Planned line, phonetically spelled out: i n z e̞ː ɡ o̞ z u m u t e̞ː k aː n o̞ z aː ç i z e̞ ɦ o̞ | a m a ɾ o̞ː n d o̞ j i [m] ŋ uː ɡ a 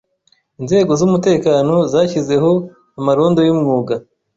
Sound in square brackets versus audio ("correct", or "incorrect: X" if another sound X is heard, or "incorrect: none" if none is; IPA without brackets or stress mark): correct